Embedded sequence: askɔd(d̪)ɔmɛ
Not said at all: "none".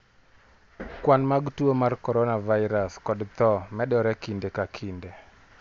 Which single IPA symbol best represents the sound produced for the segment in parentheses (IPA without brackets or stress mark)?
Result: t̪